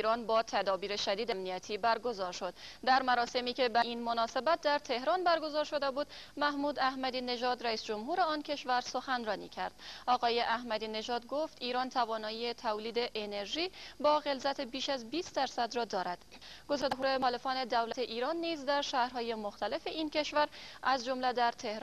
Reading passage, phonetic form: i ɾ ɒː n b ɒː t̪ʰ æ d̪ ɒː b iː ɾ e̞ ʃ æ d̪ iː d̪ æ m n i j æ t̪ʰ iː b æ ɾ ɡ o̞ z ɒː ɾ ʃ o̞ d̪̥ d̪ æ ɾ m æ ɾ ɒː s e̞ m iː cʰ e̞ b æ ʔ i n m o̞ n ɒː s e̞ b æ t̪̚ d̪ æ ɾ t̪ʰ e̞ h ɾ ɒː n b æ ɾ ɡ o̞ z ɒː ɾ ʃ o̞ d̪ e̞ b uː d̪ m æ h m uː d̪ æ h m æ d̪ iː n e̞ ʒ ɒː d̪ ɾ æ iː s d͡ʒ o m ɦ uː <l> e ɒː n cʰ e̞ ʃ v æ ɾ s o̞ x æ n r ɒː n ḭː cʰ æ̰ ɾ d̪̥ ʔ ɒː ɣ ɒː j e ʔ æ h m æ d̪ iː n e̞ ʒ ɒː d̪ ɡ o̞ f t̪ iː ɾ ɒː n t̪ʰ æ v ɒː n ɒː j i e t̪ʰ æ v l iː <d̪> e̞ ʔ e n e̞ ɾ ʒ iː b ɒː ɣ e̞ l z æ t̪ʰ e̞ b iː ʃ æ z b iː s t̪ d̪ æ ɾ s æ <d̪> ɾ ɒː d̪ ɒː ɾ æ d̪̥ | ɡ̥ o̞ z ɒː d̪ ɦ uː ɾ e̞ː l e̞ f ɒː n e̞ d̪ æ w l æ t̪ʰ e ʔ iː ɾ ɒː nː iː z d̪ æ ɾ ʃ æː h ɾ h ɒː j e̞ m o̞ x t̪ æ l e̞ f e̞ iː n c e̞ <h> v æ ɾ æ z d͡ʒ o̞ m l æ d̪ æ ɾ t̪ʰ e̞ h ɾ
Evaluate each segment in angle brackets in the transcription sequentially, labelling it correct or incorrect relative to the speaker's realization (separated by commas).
incorrect, correct, correct, incorrect